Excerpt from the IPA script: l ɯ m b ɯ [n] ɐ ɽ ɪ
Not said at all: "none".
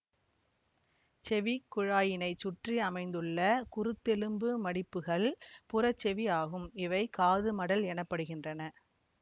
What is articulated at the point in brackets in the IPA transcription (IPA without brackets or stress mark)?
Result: m